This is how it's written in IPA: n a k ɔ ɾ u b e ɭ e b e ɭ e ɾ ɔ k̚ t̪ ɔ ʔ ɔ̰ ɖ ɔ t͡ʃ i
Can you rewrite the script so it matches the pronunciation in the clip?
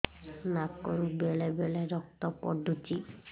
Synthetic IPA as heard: n a k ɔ ɾ u b e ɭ e b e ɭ e ɾ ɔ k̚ t̪ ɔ p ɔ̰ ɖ u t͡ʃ i